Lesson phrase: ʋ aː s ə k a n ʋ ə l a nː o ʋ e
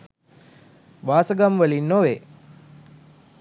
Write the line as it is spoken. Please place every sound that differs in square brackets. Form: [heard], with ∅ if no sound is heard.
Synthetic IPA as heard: ʋ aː s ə [ɡ] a [m] ʋ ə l [i] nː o ʋ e